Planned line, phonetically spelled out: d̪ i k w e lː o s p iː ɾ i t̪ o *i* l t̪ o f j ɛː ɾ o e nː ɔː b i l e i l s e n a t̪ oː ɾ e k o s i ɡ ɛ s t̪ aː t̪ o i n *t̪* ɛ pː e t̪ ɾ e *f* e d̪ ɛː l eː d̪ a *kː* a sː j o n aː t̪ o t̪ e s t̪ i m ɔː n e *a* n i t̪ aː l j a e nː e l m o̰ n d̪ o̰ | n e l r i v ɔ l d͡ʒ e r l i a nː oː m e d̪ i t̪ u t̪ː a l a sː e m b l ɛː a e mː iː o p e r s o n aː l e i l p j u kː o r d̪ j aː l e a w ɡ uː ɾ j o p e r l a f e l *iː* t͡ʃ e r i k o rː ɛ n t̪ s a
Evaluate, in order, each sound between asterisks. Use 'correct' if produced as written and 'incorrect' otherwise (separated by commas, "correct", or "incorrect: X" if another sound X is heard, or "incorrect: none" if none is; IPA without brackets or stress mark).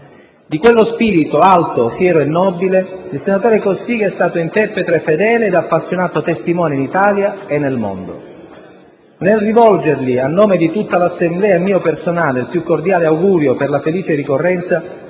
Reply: incorrect: a, correct, correct, incorrect: pː, incorrect: i, correct